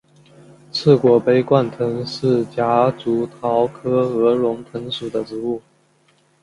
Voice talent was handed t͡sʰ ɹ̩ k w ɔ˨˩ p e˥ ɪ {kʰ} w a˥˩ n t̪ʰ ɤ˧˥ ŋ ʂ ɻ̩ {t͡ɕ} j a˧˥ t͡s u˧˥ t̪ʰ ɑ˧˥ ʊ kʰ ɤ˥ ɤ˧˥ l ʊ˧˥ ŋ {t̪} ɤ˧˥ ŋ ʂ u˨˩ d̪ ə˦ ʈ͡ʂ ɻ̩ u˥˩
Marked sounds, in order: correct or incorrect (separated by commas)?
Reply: incorrect, correct, incorrect